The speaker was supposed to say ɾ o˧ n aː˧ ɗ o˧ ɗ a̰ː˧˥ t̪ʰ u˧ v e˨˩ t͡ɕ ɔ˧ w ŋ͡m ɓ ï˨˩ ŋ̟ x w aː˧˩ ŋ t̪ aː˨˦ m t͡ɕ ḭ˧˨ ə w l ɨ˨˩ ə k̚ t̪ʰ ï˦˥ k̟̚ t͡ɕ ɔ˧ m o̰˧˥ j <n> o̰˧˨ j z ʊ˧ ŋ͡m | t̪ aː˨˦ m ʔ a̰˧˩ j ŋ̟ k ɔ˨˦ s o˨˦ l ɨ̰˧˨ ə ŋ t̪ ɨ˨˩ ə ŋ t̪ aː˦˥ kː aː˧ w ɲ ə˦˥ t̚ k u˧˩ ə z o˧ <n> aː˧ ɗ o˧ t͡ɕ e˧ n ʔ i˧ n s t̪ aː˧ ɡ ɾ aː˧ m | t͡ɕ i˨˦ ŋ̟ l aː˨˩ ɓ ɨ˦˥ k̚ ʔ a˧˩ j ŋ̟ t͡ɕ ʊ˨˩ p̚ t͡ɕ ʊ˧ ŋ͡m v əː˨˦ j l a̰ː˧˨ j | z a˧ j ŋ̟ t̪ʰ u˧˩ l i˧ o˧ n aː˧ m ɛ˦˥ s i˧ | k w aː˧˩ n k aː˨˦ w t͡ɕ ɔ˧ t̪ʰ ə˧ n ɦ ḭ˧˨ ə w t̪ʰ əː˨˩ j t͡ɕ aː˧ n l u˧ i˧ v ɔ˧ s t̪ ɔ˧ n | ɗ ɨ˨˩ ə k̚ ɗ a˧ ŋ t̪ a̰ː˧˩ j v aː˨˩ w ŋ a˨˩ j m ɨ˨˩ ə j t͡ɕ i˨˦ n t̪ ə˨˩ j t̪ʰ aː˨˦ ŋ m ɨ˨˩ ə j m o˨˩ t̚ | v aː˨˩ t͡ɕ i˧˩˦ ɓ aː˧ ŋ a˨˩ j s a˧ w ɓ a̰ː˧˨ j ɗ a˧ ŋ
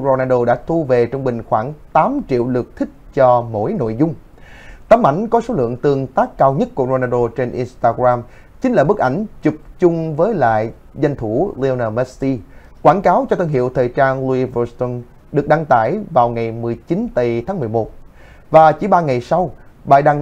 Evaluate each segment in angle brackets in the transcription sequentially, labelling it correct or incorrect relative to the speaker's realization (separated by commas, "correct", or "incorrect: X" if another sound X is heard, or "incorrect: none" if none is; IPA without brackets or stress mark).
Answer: correct, correct